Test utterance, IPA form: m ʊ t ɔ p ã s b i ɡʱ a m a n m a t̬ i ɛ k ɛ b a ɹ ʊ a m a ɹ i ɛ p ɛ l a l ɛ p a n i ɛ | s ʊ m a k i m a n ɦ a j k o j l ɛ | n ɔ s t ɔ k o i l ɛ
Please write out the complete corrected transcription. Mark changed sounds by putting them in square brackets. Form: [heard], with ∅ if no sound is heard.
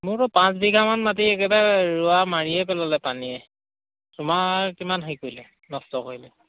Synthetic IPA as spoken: m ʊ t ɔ p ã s b i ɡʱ a m a n m a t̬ i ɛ k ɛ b a ɹ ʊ a m a ɹ i ɛ p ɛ l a l ɛ p a n i ɛ | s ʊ m a k i m a n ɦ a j k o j l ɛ | n ɔ s t ɔ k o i l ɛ